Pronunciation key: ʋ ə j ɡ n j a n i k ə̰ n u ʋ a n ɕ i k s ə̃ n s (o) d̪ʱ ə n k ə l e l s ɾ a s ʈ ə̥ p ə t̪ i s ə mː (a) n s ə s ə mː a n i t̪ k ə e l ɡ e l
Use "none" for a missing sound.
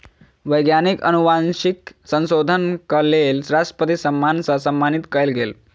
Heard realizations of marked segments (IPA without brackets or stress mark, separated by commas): o, a